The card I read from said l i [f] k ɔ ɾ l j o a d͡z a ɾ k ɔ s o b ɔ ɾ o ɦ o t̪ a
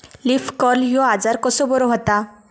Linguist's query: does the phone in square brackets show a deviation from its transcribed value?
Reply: no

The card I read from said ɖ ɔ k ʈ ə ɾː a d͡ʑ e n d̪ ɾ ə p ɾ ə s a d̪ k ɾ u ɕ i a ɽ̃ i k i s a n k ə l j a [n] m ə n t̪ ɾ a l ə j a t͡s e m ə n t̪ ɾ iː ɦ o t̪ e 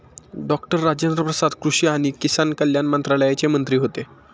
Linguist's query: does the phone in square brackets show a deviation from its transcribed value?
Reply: no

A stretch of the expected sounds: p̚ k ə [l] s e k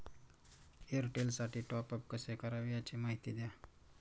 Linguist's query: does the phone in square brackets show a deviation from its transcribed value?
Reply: yes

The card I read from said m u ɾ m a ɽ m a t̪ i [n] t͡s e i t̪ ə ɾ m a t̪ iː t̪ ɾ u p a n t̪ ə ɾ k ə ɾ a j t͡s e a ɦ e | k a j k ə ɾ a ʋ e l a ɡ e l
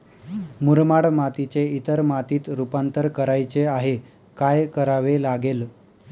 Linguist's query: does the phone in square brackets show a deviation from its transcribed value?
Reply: yes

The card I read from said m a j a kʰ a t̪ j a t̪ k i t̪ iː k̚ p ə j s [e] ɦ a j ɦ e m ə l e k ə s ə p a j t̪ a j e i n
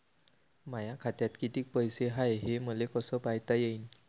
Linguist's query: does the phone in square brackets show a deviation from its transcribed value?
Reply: no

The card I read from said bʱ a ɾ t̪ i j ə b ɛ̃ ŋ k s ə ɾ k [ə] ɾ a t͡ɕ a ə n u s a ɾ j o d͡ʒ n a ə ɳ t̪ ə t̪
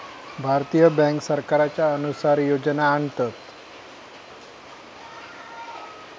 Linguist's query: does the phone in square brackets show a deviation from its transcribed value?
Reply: yes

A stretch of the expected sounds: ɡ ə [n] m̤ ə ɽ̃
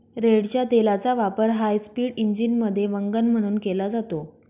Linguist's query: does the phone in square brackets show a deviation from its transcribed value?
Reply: no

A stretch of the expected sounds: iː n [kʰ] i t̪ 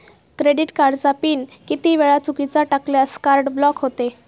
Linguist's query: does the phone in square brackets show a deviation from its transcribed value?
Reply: yes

